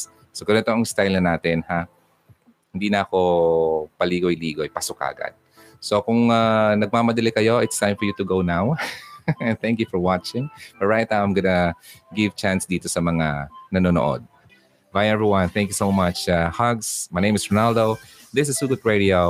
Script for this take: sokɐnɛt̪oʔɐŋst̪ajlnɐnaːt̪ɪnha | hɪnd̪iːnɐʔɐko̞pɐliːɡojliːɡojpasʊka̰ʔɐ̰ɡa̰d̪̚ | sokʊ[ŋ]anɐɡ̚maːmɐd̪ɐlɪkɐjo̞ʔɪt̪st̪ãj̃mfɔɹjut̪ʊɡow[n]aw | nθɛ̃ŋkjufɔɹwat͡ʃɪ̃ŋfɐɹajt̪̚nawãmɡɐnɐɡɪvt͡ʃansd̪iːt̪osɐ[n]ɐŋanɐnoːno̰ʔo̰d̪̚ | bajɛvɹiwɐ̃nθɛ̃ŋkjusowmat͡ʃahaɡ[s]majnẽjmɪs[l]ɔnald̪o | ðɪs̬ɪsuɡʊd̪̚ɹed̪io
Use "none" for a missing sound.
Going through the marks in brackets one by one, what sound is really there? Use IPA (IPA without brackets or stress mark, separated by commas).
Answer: ŋ, n, m, s, ɹ